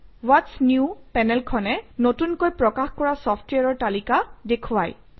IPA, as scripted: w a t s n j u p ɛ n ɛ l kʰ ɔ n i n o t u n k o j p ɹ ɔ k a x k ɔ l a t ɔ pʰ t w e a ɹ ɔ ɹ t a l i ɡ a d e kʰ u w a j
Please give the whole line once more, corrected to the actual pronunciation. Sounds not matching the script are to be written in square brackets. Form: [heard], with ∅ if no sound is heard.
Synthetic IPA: w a t s n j u p ɛ n ɛ l kʰ ɔ n [ɛ] n o t u n k o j p ɹ ɔ k a x k ɔ [ɹ] a [s] ɔ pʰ t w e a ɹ ɔ ɹ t a l i [k] a d e kʰ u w a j